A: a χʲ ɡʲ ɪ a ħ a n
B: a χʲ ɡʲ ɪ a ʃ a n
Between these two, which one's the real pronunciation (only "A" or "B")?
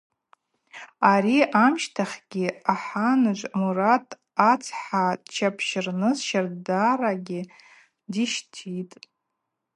A